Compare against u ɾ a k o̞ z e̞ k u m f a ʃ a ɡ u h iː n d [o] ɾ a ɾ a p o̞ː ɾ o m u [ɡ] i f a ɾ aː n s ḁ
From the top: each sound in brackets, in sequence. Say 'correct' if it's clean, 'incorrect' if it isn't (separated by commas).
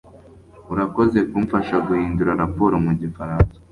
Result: incorrect, incorrect